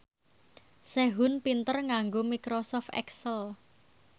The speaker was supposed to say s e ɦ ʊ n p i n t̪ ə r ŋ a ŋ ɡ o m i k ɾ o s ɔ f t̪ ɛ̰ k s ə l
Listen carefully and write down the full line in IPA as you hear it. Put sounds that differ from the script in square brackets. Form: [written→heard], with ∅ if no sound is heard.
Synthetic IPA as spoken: s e ɦ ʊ n p i n t̪ ə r ŋ a ŋ ɡ o m i k ɾ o s ɔ f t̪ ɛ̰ k s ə l